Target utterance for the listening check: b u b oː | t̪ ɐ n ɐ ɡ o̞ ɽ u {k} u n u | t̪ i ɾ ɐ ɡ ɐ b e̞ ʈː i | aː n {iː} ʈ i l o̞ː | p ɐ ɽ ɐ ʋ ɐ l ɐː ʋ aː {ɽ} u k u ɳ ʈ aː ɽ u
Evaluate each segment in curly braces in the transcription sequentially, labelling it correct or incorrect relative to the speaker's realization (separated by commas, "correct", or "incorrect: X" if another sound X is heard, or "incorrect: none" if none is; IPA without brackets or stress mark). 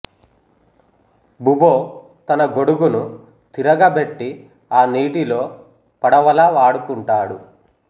incorrect: ɡ, correct, correct